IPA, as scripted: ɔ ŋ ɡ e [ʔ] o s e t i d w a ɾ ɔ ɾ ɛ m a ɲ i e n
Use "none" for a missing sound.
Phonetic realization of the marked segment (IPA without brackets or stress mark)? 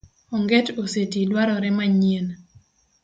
t